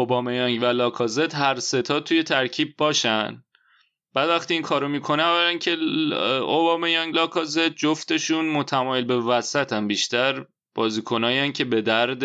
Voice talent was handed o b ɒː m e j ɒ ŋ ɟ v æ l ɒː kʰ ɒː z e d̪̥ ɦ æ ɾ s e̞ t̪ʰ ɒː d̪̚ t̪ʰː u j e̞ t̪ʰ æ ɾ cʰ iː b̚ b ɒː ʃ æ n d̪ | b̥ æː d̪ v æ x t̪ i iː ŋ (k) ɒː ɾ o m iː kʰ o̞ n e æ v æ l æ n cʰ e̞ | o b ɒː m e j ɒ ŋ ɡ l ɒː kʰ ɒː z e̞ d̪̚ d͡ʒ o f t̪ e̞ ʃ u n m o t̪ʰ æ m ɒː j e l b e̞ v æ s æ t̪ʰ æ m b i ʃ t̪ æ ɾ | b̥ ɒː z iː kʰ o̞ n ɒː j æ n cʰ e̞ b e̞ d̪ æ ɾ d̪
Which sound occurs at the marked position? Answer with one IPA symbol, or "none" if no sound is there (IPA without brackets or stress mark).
kʰ